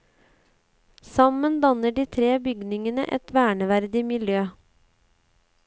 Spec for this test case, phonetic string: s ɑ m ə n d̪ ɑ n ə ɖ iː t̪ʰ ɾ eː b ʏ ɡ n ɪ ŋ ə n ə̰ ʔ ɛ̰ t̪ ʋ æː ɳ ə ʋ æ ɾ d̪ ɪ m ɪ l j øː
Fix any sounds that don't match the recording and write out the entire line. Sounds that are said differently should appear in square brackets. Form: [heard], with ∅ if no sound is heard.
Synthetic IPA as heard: s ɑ m ə n d̪ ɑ n ə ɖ iː t̪ʰ ɾ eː b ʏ ɡ n ɪ ŋ ə n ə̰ ʔ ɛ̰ t̪ ʋ æː ɳ ə ʋ æ ɾ d̪ ɪ m ɪ l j øː